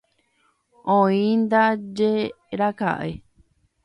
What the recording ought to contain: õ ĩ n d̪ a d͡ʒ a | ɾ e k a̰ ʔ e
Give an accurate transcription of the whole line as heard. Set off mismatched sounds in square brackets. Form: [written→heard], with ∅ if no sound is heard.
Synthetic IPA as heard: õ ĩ n d̪ a d͡ʒ [a→e] | ɾ [e→a] k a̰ ʔ e

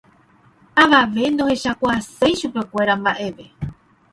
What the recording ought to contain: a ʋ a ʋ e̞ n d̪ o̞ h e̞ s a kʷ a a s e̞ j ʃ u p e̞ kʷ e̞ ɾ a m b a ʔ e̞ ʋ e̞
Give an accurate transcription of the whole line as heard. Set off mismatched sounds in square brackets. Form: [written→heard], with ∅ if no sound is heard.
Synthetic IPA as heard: a ʋ a ʋ e̞ n d̪ o̞ h e̞ [s→ʃ] a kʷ a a s e̞ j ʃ u p e̞ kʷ e̞ ɾ a m b a ʔ e̞ ʋ e̞

